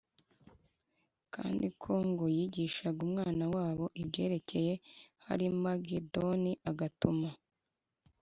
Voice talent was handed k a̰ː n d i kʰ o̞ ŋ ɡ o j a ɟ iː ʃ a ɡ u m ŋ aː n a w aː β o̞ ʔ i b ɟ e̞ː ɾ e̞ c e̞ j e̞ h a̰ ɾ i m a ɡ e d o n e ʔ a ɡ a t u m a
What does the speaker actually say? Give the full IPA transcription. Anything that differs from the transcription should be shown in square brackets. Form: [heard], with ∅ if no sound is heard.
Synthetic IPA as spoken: k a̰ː n d i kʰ o̞ ŋ ɡ o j [i] ɟ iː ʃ a ɡ u m ŋ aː n a w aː β o̞ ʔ i b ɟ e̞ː ɾ e̞ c e̞ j e̞ h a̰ ɾ i m a ɡ e d o n [i] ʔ a ɡ a t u m a